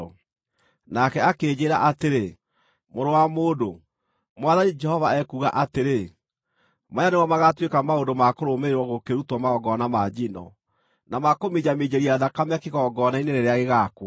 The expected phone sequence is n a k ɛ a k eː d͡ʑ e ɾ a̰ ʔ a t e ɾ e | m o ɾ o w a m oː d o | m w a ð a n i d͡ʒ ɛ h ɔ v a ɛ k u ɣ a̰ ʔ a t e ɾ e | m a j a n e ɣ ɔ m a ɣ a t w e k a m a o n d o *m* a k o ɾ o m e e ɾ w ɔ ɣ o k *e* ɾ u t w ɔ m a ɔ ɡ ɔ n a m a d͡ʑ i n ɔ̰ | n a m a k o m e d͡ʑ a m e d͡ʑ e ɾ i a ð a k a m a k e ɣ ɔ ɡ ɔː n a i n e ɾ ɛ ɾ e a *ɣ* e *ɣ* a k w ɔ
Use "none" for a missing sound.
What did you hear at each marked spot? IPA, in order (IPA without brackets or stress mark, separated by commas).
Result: m, e, ɣ, ɣ